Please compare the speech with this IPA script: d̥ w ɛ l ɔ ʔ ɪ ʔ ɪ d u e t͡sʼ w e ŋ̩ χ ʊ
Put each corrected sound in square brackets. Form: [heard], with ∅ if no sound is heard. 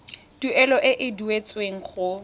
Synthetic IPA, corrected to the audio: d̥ [u] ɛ l ɔ ʔ ɪ ʔ ɪ d u e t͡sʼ w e ŋ̩ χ ʊ